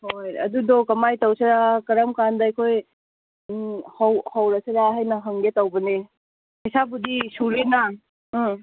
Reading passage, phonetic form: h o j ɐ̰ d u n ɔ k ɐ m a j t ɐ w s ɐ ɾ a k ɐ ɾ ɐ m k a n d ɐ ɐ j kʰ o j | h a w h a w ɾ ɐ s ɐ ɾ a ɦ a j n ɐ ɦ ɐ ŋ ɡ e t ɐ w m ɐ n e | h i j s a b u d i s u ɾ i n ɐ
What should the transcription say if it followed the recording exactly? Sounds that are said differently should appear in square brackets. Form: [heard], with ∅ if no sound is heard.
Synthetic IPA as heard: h o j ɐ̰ d u [d] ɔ k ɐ m a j t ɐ w s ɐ ɾ a k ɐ ɾ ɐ m k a n d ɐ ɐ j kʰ o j | h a w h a w ɾ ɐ s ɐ ɾ a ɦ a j n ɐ ɦ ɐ ŋ ɡ e t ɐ w [b] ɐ n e | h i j s a b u d i s u ɾ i n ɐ